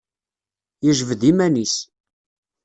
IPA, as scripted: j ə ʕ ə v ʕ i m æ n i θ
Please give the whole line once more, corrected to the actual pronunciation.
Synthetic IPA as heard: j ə ʒ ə v ð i m æ n i s